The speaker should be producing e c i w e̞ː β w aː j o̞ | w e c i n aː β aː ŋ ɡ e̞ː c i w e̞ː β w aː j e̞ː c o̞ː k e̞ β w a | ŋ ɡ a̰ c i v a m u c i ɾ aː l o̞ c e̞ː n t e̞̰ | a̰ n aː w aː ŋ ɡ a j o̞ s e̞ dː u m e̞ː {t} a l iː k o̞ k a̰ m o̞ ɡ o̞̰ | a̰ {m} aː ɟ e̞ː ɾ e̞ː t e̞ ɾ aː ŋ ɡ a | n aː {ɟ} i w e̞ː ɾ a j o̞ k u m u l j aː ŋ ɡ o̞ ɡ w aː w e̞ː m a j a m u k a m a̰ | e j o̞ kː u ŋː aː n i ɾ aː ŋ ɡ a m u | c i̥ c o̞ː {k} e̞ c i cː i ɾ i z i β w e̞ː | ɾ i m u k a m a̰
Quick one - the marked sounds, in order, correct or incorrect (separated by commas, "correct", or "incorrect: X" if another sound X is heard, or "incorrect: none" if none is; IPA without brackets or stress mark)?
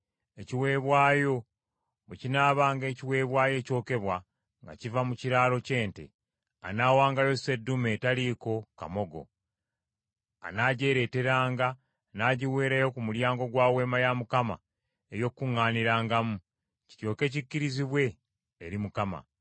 correct, incorrect: n, correct, correct